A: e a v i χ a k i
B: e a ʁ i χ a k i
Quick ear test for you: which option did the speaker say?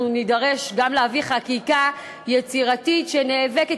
A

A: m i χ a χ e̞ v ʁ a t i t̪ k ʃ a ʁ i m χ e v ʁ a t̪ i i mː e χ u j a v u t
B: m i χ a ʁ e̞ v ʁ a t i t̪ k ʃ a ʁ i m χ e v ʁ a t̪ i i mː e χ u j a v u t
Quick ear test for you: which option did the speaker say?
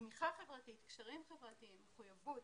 A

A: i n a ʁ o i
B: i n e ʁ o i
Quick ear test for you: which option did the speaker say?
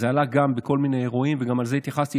B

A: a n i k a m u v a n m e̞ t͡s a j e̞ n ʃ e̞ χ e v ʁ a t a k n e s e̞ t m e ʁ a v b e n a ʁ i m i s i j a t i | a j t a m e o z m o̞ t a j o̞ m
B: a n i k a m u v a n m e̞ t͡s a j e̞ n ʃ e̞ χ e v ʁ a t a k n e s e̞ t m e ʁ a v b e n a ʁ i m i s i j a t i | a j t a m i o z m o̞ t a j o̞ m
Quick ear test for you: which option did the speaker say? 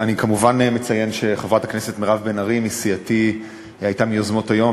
B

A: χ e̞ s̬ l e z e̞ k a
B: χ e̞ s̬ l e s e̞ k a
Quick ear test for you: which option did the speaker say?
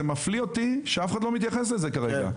A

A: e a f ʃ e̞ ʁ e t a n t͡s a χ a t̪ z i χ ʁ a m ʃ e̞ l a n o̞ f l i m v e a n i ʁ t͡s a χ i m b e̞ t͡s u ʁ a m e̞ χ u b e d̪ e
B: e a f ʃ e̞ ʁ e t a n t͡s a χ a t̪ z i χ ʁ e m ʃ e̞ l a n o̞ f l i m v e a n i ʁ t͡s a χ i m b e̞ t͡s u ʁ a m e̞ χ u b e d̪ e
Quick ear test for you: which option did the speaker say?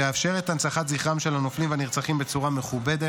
A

